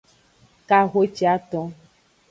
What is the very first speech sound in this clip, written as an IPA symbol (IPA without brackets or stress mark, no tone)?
k